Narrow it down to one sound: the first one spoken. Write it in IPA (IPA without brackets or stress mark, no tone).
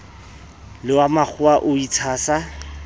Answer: l